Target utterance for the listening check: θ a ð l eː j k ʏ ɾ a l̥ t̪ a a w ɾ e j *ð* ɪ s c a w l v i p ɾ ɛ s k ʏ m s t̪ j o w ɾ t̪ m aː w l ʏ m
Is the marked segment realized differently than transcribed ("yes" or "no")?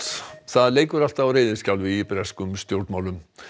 no